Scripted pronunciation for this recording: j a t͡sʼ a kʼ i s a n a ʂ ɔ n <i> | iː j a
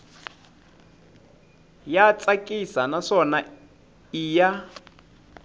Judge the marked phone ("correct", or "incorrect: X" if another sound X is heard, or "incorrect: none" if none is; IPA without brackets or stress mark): incorrect: a